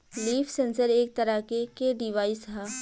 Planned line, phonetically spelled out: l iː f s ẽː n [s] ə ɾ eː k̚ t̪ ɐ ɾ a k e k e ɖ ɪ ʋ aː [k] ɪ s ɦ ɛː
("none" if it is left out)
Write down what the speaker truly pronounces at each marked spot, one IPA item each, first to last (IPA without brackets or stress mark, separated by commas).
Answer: s, none